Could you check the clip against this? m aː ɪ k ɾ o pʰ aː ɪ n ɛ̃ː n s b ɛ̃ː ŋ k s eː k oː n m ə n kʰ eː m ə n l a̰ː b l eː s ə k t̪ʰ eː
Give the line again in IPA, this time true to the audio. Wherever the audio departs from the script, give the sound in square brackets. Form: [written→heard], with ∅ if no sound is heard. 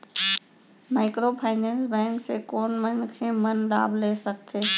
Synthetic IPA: m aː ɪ k ɾ o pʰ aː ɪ n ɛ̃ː n s b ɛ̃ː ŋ k s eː k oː n m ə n kʰ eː m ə n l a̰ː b l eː s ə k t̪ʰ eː